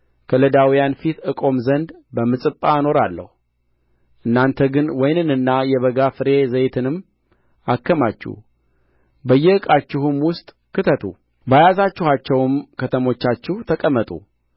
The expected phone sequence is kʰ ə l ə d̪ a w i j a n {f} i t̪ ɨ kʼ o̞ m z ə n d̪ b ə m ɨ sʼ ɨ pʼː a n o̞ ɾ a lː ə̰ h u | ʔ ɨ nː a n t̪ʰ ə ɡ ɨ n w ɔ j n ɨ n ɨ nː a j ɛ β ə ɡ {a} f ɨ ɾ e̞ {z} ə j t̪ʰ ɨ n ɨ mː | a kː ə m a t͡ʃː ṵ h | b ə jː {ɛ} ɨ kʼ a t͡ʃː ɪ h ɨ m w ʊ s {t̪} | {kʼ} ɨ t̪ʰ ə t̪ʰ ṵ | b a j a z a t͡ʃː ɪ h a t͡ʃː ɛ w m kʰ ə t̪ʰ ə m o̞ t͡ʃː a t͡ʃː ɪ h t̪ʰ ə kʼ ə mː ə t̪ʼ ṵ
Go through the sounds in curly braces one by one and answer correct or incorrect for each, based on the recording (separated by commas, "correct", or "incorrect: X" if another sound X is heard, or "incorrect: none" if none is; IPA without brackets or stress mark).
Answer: correct, correct, correct, correct, incorrect: t̪ʼ, incorrect: k